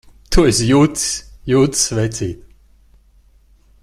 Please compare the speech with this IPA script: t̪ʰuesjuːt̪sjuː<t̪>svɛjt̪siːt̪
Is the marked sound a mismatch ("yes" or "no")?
no